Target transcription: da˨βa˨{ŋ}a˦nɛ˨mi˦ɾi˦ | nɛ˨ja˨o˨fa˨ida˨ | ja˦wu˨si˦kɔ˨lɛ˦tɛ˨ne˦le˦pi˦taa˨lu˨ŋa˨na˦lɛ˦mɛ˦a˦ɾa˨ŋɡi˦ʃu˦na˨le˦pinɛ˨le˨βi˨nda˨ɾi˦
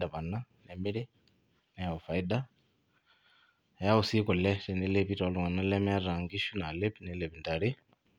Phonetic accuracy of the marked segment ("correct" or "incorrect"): incorrect